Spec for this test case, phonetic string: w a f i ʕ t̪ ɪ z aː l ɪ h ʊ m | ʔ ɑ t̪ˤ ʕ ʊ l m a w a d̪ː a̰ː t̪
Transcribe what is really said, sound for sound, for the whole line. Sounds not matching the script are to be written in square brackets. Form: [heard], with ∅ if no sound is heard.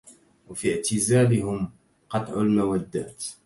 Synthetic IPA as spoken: w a f i ʕ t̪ ɪ z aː l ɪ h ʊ m | [q] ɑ t̪ˤ ʕ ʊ l m a w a d̪ː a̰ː t̪